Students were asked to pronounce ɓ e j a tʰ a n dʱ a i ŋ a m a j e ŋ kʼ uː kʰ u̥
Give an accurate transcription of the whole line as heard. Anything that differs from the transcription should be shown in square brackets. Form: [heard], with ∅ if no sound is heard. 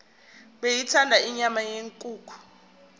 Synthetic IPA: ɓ e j [i] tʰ a n dʱ a i [ɲ] a m a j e ŋ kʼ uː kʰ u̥